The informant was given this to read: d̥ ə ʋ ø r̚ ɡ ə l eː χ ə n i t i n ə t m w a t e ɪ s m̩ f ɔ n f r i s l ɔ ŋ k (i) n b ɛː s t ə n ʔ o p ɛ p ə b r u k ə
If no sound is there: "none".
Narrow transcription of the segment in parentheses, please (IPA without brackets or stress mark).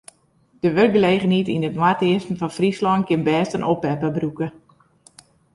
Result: ɪ